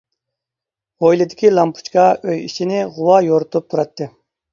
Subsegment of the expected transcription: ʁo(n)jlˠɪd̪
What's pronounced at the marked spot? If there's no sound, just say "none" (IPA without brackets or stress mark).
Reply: none